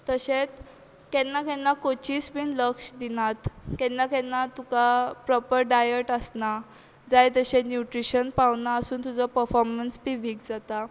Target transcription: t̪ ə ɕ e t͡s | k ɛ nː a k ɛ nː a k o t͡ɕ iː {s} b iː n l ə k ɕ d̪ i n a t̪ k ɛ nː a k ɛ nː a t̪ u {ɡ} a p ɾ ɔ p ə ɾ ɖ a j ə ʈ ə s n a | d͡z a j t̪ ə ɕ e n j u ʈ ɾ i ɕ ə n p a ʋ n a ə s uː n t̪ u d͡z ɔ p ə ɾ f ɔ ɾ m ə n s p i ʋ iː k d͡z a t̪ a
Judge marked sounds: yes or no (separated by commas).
yes, no